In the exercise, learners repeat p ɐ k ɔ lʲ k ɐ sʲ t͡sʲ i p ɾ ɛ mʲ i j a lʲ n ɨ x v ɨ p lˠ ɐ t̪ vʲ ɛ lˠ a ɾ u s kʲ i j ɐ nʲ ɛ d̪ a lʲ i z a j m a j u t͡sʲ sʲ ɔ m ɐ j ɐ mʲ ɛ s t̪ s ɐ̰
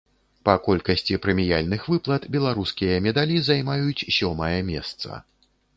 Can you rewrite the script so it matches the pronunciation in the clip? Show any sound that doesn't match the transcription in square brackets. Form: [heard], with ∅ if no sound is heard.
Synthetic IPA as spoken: p ɐ k ɔ lʲ k ɐ sʲ t͡sʲ i p ɾ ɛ mʲ i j a lʲ n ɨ x v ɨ p lˠ ɐ t̪ [bʲ] ɛ lˠ a ɾ u s kʲ i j ɐ [mʲ] ɛ d̪ a lʲ i z a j m a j u t͡sʲ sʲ ɔ m ɐ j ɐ mʲ ɛ s t̪ s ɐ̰